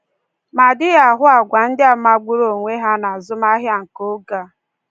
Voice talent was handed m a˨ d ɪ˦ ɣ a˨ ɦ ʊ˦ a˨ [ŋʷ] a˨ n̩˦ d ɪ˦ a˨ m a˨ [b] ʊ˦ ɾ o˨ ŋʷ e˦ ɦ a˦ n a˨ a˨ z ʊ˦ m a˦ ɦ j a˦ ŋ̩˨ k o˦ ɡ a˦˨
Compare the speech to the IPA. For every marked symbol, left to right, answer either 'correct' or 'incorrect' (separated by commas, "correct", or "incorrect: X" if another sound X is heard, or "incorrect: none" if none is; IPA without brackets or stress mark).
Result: incorrect: ɡʷ, incorrect: ɡ͡b